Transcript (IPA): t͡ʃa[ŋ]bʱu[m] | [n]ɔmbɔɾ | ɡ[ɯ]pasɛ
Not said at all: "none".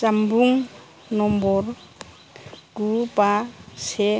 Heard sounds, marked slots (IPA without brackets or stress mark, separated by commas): m, ŋ, n, u